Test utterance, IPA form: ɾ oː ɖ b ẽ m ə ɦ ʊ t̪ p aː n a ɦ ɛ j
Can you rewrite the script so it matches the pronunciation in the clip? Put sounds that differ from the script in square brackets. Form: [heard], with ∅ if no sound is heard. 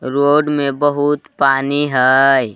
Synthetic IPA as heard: ɾ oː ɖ [m] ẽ [b] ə ɦ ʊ t̪ p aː n [i] ɦ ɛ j